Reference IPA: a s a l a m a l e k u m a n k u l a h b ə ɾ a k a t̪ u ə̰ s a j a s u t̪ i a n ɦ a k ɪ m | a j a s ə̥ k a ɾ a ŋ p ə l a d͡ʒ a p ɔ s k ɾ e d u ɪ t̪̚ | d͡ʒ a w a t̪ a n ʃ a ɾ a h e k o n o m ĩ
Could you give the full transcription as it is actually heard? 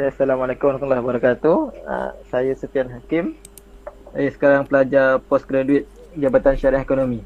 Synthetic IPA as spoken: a s a l a m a l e k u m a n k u l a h b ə ɾ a k a t̪ u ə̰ s a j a s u t̪ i a n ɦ a k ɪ m | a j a s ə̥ k a ɾ a ŋ p ə l a d͡ʒ a p ɔ s k ɾ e d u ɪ t̪̚ | d͡ʒ a b a t̪ a n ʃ a ɾ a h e k o n o m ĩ